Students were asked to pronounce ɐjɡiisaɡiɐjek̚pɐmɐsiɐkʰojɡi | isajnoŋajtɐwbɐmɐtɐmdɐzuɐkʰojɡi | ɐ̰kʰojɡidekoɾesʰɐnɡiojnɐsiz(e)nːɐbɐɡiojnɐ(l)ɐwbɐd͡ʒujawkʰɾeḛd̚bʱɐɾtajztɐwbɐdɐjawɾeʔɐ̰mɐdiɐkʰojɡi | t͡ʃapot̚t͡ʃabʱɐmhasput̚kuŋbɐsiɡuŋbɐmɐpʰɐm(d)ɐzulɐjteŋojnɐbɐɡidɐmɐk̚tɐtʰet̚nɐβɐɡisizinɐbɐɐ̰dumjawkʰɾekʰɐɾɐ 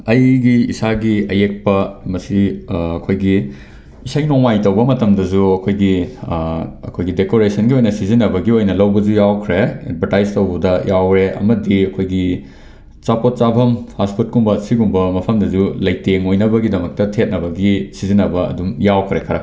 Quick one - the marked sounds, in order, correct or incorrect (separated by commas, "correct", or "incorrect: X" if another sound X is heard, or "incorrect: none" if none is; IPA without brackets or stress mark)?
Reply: incorrect: i, correct, correct